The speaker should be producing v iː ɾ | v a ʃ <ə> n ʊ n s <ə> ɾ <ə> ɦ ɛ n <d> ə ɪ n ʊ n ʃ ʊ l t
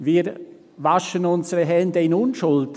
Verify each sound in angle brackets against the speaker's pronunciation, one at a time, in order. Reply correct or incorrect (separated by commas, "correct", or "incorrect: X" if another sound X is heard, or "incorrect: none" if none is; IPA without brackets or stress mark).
correct, correct, correct, correct